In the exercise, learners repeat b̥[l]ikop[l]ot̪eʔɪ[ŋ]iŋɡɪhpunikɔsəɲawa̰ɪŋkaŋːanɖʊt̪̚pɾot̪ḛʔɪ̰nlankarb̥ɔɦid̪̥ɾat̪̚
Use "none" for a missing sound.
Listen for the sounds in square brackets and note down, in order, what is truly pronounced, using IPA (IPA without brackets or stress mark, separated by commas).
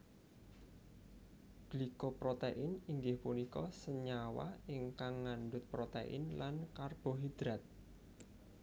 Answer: l, ɾ, n